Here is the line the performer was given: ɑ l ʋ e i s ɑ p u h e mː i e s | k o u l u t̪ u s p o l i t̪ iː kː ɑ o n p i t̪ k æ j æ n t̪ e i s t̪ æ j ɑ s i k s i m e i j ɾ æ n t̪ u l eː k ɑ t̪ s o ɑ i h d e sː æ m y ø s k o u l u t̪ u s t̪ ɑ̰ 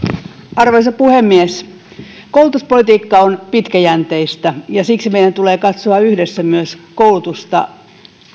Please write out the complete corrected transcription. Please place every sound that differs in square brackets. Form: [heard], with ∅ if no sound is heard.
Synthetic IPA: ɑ [r] ʋ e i s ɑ p u h e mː i e s | k o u l u t̪ u s p o l i t̪ iː kː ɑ o n p i t̪ k æ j æ n t̪ e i s t̪ æ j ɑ s i k s i m e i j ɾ æ n t̪ u l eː k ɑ t̪ s o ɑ [y] h d e sː æ m y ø s k o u l u t̪ u s t̪ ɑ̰

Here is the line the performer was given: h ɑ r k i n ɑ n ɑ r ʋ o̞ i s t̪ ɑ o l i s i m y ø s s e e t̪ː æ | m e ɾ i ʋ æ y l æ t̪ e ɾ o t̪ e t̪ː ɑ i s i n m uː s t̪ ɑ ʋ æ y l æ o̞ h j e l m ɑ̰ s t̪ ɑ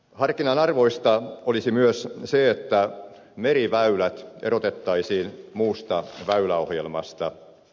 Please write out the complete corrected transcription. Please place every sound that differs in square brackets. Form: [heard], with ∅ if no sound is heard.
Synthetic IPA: h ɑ r k i n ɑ n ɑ r ʋ o̞ i s t̪ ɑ o l i s i m y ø s s e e t̪ː æ | m e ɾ i ʋ æ y l æ t̪ e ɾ o t̪ e t̪ː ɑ i s [iː] n m uː s t̪ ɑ ʋ æ y l æ o̞ h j e l m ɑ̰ s t̪ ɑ

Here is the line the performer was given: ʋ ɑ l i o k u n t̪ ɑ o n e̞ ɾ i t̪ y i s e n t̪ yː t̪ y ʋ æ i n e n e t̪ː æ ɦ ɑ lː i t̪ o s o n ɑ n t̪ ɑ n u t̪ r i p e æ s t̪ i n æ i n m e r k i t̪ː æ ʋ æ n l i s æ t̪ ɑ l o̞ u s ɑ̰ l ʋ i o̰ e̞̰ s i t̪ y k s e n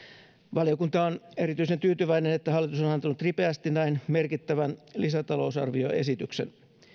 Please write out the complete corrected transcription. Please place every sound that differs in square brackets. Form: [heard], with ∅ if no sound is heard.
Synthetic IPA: ʋ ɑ l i o k u n t̪ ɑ o n e̞ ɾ i t̪ y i s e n t̪ yː t̪ y ʋ æ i n e n e t̪ː æ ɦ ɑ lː i t̪ [u] s o n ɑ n t̪ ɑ n u t̪ r i p e æ s t̪ i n æ i n m e r k i t̪ː æ ʋ æ n l i s æ t̪ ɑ l o̞ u s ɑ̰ [r] ʋ i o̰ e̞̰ s i t̪ y k s e n

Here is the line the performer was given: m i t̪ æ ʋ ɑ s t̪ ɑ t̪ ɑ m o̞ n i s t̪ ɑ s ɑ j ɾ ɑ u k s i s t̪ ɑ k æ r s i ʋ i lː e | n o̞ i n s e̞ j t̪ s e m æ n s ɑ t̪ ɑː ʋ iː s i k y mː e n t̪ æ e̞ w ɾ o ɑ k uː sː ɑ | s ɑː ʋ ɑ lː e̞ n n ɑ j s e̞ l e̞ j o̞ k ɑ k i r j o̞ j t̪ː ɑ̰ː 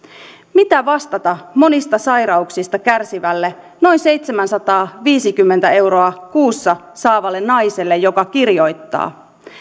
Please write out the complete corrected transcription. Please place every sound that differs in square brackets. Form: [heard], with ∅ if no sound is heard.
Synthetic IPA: m i t̪ æ ʋ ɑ s t̪ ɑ t̪ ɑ m o̞ n i s t̪ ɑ s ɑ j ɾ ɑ u k s i s t̪ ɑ k æ r s i ʋ [æ] lː e | n o̞ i n s e̞ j t̪ s e m æ n s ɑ t̪ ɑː ʋ iː s i k y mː e n t̪ æ e̞ w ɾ o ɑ k uː sː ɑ | s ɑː ʋ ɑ lː e̞ n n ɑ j s e̞ [lː] e̞ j o̞ k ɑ k i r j o̞ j t̪ː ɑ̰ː

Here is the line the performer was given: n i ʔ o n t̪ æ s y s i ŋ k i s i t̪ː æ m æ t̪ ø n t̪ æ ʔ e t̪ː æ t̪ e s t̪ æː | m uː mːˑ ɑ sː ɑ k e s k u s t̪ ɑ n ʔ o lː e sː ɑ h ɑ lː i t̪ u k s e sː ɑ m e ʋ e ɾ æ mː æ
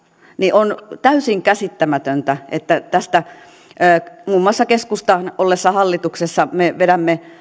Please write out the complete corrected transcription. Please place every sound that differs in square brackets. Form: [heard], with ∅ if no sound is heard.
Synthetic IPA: n i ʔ o n t̪ æ [∅] y s i ŋ k [æ] s i t̪ː æ m æ t̪ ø n t̪ æ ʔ e t̪ː æ t̪ [æ] s t̪ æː | m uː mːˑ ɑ sː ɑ k e s k u s t̪ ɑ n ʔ o lː e sː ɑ h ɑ lː i t̪ u k s e sː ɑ m e ʋ e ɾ æ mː [e]

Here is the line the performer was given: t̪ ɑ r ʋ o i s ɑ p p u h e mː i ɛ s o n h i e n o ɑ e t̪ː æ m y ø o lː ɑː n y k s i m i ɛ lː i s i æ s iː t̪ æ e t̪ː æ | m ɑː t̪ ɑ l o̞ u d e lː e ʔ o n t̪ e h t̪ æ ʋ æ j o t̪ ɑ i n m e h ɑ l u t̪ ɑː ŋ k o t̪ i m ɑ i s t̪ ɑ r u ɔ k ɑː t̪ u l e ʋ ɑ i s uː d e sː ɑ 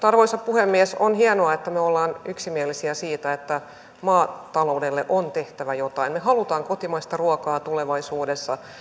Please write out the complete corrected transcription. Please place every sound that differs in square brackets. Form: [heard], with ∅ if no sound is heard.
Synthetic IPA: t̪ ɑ r ʋ o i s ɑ p p u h e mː i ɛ s o n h i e n o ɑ e t̪ː æ m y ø o lː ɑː n y k s i m i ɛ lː i s i æ s iː t̪ æ e t̪ː æ | m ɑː t̪ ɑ l o̞ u d e lː e ʔ o n t̪ e h t̪ æ ʋ æ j o t̪ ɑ i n m e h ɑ l u t̪ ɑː ŋ k o t̪ i m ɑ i s t̪ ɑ r u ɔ k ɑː t̪ u l e ʋ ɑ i s uː d e sː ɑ

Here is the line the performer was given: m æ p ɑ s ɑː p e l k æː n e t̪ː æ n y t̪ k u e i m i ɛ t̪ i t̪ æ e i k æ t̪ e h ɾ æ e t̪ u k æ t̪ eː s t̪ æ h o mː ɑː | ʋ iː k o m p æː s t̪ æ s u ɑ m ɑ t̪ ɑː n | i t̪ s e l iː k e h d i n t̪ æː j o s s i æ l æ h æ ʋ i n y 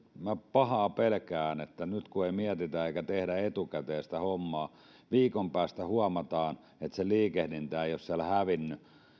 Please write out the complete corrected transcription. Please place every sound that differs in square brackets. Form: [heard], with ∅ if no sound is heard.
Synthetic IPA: m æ p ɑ [h] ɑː p e l k æː n e t̪ː æ n y t̪ k u e i m i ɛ t̪ i t̪ æ e i k æ t̪ e h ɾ æ e t̪ u k æ t̪ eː s t̪ æ h o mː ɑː | ʋ iː k o m p æː s t̪ æ [h] u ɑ m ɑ t̪ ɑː n | [e] t̪ s e l iː k e h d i n t̪ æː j o s s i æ l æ h æ ʋ i [nː] y

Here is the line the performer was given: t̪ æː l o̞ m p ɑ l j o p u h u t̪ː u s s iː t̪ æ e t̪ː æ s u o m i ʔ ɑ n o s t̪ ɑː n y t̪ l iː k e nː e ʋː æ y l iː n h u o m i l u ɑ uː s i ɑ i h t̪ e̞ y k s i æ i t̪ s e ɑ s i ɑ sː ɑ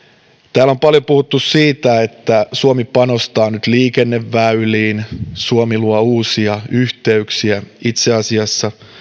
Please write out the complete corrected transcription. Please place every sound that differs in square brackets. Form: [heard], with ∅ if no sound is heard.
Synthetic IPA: t̪ æː l o̞ m p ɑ l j o p u h u t̪ː u s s iː t̪ æ e t̪ː æ s u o m i [p] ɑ n o s t̪ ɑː n y t̪ l iː k e nː e ʋː æ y l iː n [s] u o m i l u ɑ uː s i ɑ [y] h t̪ e̞ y k s i æ i t̪ s e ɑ s i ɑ sː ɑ

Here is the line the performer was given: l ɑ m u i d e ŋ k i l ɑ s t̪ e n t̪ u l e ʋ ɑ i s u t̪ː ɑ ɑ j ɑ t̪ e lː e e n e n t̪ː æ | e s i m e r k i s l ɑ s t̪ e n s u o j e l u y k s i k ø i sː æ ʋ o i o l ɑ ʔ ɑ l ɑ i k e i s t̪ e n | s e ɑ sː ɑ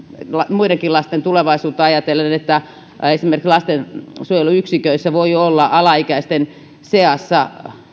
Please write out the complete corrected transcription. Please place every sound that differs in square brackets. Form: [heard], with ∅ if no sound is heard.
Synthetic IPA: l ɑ m u i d e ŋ k i l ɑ s t̪ e n t̪ u l e ʋ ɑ i s [uː] t̪ː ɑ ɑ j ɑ t̪ e lː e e n e [∅] t̪ː æ | e s i m e r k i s l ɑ s t̪ e n s u o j e l u y k s i k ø i sː æ ʋ o i o [lː] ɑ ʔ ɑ l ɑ i k [æ] i s t̪ e n | s e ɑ sː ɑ

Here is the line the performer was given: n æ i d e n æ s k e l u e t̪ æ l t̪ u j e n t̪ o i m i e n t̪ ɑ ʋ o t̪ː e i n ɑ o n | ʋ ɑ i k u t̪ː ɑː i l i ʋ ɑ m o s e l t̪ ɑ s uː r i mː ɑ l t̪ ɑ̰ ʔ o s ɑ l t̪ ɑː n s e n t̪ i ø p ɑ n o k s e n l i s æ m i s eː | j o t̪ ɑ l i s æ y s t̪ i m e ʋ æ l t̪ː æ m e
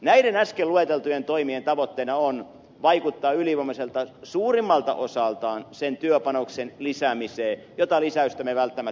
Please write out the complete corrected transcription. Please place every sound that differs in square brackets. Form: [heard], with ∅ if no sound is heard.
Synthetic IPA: n æ i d e n æ s k e l u e t̪ [e] l t̪ u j e n t̪ o i m i e n t̪ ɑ ʋ o t̪ː e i n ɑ o n | ʋ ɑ i k u t̪ː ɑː [y] l i ʋ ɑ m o s e l t̪ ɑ s uː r i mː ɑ l t̪ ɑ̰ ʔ o s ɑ l t̪ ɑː n s e n t̪ [y] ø p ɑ n o k s e n l i s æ m i s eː | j o t̪ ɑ l i s æ y s t̪ [æ] m e ʋ æ l t̪ː æ m [æ]

